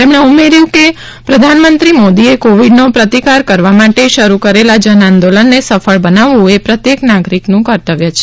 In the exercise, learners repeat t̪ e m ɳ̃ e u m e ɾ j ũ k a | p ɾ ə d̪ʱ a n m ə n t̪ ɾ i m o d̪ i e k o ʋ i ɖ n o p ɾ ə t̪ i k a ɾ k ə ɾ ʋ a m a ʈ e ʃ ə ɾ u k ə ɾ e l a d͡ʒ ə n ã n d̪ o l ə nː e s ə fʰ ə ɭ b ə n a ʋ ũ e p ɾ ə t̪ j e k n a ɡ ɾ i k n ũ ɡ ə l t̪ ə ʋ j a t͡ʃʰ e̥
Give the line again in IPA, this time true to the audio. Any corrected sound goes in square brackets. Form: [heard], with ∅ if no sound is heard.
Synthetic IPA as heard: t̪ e m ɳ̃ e u m e ɾ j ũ k [e] | p ɾ ə d̪ʱ a n m ə n t̪ ɾ i m o d̪ i e k o ʋ i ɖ n o p ɾ ə t̪ i k a ɾ k ə ɾ ʋ a m a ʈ e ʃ ə ɾ u k ə ɾ e l a d͡ʒ ə n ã n d̪ o l ə nː e s ə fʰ ə ɭ b ə n a ʋ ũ e p ɾ ə t̪ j e k n a ɡ ɾ i k n ũ [k] ə [ɾ] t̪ ə ʋ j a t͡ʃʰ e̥

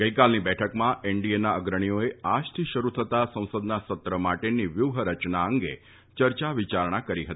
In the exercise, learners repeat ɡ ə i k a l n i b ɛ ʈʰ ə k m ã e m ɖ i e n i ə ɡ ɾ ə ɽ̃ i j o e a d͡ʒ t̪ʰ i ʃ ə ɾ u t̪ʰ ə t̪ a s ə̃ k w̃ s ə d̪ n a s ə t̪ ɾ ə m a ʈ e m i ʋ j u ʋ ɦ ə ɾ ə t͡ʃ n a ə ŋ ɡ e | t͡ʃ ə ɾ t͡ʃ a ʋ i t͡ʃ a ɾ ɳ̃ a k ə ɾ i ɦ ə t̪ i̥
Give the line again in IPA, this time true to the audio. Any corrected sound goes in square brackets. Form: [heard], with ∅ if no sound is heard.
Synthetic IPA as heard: ɡ ə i k a l n i b ɛ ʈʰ ə k m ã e [ɳ] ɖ i e n [a] ə ɡ ɾ ə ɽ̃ i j o e a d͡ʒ t̪ʰ i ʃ ə ɾ u t̪ʰ ə t̪ a s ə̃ [∅] w̃ s ə d̪ n a s ə t̪ ɾ ə m a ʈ e [n] i ʋ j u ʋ ɦ ə ɾ ə t͡ʃ n a ə ŋ ɡ e | t͡ʃ ə ɾ t͡ʃ a ʋ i t͡ʃ a ɾ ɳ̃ a k ə ɾ i ɦ ə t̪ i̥

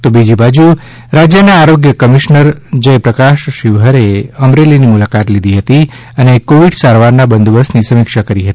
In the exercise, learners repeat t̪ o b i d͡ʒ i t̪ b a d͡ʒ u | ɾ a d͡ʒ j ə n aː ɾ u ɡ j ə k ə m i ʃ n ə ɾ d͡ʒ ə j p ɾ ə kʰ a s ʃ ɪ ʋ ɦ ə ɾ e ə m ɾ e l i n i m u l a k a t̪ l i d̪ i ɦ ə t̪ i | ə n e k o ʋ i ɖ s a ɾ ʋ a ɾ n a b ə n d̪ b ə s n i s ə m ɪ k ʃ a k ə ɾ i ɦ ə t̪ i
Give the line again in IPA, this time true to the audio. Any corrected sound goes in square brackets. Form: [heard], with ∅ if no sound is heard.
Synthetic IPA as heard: t̪ o b i d͡ʒ i [∅] b a d͡ʒ u | ɾ a d͡ʒ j ə n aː ɾ [o] ɡ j ə k ə m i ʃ n ə ɾ d͡ʒ ə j p ɾ ə [k] a [ʃ] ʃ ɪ ʋ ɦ ə ɾ e ə m ɾ e l i n i m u l a k a t̪ l i d̪ i ɦ ə t̪ i | ə n e k o ʋ i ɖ s a ɾ ʋ a ɾ n a b ə n d̪ b ə s n i s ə m ɪ k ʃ a k ə ɾ i ɦ ə t̪ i

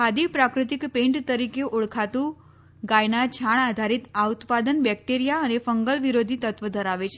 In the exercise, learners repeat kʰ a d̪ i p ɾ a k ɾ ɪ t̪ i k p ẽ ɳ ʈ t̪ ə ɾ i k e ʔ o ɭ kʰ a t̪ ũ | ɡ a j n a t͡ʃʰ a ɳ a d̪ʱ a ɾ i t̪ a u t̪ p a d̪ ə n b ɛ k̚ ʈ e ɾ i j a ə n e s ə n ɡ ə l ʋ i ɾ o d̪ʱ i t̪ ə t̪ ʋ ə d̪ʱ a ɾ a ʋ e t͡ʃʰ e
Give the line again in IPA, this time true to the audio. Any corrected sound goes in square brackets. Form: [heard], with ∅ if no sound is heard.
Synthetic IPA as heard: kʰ a d̪ i p ɾ a k ɾ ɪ t̪ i k p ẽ ɳ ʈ t̪ ə ɾ i k e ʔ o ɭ kʰ a t̪ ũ | ɡ a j n a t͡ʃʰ a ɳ a d̪ʱ a ɾ i t̪ a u t̪ p a d̪ ə n b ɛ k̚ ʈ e ɾ i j a ə n e [f] ə [ŋ] ɡ ə l ʋ i ɾ o d̪ʱ i t̪ ə t̪ ʋ ə d̪ʱ [ə] ɾ a ʋ e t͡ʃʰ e

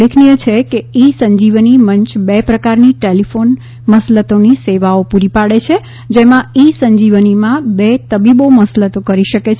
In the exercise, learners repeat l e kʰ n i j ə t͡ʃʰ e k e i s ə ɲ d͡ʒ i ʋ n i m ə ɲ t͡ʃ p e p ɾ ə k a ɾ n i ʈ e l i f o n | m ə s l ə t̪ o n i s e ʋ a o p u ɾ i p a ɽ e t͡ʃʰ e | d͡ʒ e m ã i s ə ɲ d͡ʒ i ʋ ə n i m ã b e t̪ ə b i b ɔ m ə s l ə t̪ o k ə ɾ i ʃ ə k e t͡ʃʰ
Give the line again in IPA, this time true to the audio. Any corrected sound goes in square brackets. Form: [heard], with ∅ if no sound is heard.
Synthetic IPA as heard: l e kʰ n i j ə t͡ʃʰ e k e i s ə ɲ d͡ʒ i ʋ n i m ə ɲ t͡ʃ [b] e p ɾ ə k a ɾ n i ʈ e l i f o n | m ə s l ə t̪ o n i s e ʋ a o p u ɾ i p a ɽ e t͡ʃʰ e | d͡ʒ e m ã i s ə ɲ d͡ʒ i ʋ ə n i m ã b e t̪ ə b i b [o] m ə s l ə t̪ o k ə ɾ i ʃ ə k e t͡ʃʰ

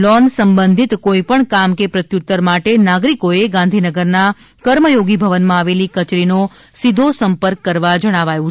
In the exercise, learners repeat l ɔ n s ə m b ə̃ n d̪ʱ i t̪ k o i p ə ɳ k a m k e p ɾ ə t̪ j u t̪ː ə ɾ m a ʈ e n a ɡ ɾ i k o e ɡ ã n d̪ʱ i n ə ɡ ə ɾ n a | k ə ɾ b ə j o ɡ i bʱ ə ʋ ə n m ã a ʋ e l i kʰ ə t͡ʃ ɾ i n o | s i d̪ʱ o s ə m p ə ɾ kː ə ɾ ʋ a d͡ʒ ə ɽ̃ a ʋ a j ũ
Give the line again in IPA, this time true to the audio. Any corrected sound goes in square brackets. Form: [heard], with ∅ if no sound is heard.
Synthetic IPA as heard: l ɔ n s ə m b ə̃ n d̪ʱ i t̪ k o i p ə ɳ k a m k e p ɾ ə t̪ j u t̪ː ə ɾ m a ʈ e n a ɡ ɾ i k o e ɡ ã n d̪ʱ i n ə ɡ ə ɾ n a | k ə ɾ [m] ə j o ɡ i bʱ ə ʋ ə n m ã a ʋ e l i [k] ə t͡ʃ ɾ i n o | s i d̪ʱ o s ə m p ə ɾ kː ə ɾ ʋ a d͡ʒ ə ɽ̃ a ʋ a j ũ

